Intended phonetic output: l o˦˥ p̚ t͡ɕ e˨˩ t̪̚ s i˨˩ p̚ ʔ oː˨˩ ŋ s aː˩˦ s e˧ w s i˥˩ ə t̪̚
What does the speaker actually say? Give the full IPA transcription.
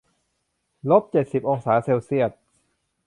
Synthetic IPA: l o˦˥ p̚ t͡ɕ e˨˩ t̪̚ s i˨˩ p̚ ʔ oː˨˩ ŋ s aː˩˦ s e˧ w s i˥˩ ə t̪̚